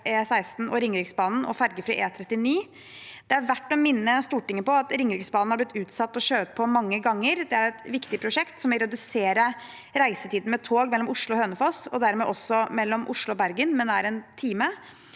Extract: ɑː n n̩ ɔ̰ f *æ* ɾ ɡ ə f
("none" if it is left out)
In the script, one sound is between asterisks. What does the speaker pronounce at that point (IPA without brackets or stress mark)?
æ